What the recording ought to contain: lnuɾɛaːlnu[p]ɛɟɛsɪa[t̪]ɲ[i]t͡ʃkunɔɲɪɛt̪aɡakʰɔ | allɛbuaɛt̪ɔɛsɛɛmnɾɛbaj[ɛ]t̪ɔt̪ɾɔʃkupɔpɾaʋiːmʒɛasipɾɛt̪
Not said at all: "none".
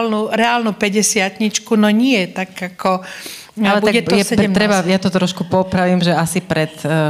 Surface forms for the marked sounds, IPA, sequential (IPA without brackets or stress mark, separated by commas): p, t̪, i, a